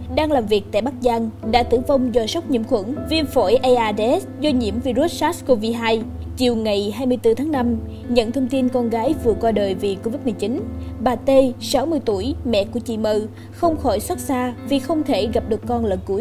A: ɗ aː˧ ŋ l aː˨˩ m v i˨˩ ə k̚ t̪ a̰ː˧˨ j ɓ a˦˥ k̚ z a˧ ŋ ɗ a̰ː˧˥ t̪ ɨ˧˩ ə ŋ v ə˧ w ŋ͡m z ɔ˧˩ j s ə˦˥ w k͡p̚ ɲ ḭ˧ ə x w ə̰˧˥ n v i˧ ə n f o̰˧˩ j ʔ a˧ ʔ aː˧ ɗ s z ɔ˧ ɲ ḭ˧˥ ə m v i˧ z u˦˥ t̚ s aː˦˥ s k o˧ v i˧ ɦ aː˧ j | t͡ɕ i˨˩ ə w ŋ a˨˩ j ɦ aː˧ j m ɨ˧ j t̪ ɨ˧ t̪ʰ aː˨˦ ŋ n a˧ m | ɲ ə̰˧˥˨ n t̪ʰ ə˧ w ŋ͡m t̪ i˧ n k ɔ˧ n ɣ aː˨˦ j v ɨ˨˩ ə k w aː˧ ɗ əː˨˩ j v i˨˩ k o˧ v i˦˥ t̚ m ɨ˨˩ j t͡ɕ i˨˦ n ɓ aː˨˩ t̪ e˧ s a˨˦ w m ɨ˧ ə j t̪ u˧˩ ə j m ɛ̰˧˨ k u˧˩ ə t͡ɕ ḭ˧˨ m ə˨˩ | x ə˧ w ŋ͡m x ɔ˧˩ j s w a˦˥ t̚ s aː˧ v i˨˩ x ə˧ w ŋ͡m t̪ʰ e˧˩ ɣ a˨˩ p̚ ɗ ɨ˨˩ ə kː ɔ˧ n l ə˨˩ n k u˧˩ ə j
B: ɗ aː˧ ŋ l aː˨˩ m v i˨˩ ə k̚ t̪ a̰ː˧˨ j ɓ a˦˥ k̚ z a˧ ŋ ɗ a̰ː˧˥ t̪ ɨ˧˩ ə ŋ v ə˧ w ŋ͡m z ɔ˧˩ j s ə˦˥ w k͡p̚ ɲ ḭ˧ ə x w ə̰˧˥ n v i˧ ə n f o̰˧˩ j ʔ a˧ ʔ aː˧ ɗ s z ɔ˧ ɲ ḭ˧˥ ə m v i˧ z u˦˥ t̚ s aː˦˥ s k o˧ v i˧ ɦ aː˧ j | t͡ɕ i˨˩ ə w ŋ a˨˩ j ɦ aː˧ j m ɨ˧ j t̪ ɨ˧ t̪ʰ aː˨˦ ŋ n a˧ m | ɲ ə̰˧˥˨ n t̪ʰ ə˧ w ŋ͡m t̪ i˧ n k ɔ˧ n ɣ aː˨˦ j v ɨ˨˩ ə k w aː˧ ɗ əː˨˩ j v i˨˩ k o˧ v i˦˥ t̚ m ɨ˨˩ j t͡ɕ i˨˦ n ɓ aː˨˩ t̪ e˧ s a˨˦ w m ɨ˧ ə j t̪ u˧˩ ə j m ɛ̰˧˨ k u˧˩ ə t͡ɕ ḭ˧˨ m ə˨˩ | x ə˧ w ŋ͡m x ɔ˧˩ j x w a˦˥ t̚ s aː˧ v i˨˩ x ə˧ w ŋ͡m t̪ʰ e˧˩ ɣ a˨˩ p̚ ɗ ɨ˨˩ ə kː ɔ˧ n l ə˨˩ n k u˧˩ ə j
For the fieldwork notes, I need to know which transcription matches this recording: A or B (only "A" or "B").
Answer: A